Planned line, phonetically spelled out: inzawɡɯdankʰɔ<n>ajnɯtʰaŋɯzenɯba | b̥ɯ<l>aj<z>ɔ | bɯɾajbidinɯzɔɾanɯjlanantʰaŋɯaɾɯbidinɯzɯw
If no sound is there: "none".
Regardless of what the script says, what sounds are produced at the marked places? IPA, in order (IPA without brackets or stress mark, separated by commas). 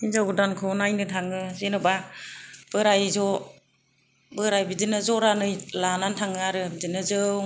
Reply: n, ɾ, z